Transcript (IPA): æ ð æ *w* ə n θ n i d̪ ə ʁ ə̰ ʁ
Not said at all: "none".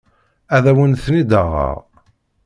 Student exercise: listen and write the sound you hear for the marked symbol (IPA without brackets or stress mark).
w